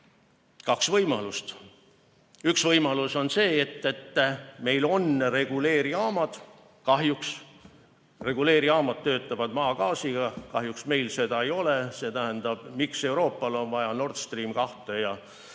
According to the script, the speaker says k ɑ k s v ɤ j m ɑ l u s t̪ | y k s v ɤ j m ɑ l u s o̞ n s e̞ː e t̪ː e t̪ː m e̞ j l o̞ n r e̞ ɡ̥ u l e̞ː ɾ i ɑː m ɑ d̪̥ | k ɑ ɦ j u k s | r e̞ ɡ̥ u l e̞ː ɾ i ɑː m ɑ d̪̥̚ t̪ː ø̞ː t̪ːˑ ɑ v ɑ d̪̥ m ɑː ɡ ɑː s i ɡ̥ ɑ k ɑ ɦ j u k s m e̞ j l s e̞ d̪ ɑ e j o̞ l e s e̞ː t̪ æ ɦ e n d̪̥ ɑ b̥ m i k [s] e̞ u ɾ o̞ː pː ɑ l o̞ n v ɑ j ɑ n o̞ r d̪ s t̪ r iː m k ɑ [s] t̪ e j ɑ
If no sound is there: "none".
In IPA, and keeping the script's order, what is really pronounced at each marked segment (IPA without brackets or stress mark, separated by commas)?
s, h